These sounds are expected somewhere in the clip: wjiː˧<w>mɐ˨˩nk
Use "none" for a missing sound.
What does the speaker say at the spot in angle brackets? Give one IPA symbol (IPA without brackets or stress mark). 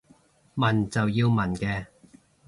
w